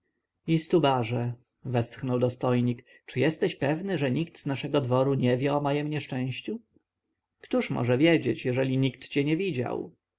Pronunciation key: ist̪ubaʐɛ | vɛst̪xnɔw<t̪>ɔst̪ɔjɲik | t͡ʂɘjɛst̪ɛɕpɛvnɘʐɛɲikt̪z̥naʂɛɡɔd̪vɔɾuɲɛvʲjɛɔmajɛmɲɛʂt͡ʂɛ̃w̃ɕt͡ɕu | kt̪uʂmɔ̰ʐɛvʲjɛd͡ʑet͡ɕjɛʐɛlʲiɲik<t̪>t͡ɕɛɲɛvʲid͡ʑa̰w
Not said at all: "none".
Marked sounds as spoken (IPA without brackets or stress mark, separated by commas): d̪, t̪